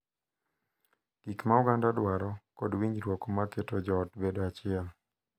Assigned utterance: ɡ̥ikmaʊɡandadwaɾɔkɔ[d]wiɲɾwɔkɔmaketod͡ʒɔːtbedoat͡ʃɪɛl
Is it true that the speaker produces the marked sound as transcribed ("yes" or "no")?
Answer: yes